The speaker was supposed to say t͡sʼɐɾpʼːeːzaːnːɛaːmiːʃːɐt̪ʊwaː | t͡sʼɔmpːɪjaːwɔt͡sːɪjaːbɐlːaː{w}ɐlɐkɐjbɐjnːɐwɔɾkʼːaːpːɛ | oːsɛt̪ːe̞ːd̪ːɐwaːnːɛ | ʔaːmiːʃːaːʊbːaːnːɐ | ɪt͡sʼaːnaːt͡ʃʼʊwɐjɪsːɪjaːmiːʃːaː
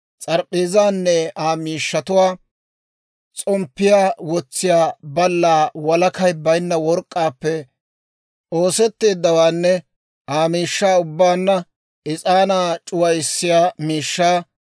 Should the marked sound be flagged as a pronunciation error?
no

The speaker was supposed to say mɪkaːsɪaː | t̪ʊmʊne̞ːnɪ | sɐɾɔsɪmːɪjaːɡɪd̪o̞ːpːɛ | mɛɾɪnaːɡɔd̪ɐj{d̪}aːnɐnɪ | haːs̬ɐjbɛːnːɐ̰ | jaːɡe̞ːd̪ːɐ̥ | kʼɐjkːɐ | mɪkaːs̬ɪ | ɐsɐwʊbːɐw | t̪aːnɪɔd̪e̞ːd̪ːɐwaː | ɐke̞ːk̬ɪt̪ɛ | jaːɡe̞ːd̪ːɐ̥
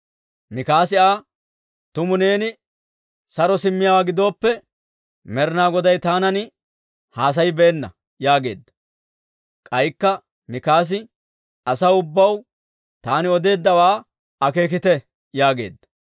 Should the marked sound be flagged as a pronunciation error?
yes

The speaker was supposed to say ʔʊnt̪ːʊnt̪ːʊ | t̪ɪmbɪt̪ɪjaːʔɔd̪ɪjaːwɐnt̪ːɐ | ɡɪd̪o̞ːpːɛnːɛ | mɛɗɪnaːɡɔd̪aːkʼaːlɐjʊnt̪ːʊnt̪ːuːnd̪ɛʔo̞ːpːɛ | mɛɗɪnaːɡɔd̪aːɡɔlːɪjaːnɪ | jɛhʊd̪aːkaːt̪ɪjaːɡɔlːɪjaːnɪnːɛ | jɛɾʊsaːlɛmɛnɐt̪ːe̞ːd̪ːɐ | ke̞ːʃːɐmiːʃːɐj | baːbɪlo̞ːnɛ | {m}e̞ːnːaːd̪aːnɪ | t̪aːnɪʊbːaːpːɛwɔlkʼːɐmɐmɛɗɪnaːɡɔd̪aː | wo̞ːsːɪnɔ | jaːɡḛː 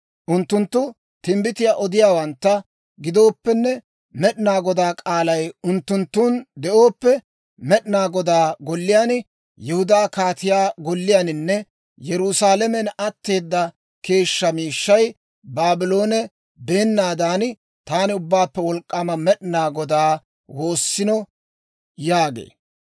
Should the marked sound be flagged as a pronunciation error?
yes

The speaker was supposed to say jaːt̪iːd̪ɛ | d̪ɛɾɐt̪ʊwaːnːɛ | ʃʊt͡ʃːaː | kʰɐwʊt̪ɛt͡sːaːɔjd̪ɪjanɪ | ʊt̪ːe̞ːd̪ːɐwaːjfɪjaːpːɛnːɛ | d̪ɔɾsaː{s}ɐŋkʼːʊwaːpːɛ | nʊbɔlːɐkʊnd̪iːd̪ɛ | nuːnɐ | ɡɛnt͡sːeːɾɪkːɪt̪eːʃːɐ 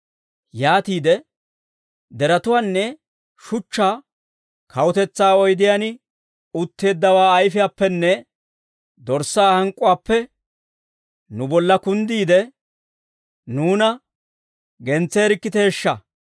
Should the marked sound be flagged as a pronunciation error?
yes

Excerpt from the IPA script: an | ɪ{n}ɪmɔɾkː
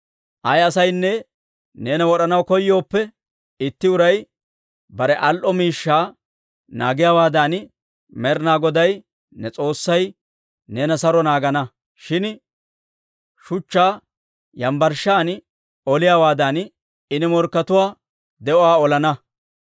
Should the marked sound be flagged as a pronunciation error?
no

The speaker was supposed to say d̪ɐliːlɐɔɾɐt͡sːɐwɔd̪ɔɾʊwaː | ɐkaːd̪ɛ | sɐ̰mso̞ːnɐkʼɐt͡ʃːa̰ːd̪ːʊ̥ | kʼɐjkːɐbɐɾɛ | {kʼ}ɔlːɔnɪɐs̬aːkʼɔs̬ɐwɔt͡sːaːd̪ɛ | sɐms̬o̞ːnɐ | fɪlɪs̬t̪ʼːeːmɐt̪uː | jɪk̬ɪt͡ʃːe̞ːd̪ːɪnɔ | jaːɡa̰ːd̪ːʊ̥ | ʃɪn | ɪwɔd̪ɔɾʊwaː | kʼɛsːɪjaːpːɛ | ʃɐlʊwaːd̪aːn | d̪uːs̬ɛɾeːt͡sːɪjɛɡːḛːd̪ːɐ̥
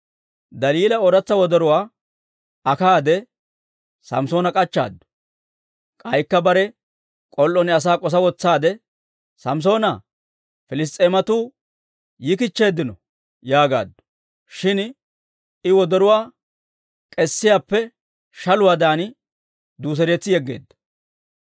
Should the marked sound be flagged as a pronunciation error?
no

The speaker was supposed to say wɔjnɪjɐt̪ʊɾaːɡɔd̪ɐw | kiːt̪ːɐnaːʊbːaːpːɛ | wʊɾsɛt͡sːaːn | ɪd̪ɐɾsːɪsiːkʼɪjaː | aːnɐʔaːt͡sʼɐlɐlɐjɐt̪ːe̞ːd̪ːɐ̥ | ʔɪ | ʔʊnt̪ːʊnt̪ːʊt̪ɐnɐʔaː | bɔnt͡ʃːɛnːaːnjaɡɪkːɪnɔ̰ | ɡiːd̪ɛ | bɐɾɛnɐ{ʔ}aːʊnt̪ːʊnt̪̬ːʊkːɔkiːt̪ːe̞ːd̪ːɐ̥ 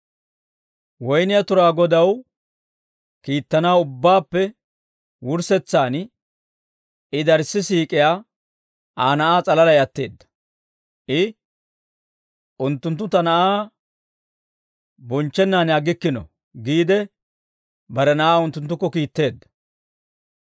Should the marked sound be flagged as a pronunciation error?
no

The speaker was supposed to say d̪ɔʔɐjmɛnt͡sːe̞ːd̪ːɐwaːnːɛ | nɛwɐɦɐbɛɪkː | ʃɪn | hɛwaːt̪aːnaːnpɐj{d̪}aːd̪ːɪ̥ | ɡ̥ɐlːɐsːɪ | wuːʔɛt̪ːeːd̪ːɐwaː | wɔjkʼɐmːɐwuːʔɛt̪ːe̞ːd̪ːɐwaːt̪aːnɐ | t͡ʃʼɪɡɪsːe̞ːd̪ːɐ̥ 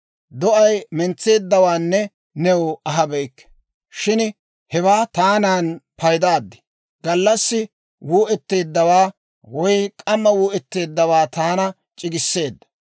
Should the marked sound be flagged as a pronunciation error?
no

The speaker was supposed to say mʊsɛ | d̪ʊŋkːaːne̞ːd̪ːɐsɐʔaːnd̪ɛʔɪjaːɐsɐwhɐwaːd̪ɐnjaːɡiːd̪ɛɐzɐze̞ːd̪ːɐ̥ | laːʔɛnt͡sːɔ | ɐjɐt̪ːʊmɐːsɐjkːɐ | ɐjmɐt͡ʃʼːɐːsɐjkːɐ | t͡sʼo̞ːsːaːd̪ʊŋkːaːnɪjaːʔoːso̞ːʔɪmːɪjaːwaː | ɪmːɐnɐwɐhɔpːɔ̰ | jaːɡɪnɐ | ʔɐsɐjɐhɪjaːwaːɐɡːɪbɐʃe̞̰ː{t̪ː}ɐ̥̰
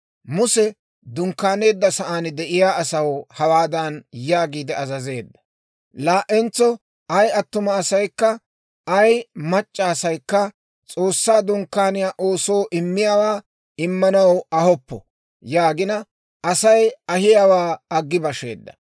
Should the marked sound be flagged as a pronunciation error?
yes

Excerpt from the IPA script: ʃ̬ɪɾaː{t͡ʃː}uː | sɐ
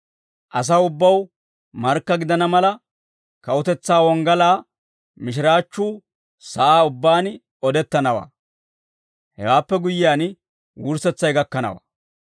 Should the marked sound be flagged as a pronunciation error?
no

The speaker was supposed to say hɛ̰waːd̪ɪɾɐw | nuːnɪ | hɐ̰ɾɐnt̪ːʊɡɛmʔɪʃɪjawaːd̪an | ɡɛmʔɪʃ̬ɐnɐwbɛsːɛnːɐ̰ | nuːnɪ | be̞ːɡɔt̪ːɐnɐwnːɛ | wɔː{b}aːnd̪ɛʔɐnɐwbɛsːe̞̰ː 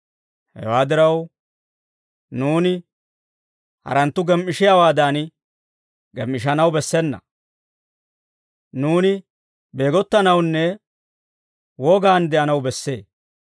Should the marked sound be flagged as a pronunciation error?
yes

